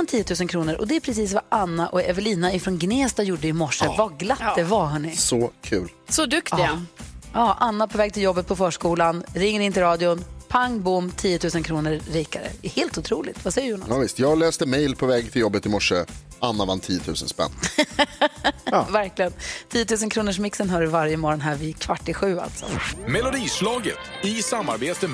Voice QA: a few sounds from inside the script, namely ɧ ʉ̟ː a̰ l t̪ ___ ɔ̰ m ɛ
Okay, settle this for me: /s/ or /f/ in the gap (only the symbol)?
s